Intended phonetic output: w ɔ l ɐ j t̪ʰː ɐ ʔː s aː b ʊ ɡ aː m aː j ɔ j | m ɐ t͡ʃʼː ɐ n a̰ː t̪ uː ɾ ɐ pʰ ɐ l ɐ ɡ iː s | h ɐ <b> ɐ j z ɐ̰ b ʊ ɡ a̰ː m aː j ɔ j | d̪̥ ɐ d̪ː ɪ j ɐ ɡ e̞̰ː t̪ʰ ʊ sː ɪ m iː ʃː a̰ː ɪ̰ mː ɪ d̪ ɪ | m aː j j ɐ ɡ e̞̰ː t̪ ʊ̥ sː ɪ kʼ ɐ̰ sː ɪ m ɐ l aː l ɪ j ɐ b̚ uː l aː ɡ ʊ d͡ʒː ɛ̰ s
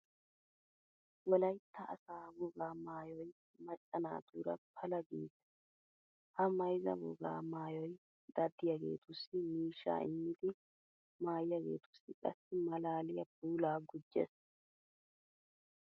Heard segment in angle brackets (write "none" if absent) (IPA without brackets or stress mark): m